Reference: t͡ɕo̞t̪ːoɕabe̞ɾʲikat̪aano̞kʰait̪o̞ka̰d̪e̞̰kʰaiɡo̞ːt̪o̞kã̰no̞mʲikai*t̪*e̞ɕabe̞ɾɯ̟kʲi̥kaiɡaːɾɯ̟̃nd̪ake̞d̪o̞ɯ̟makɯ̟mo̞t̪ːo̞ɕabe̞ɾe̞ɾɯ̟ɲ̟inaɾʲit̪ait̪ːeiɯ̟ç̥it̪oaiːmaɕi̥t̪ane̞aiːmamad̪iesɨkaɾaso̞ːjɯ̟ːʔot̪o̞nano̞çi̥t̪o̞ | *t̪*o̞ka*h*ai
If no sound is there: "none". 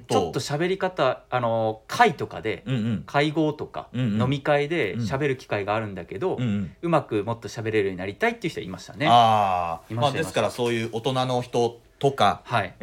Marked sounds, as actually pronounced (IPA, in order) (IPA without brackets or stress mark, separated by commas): d̪, t̪, h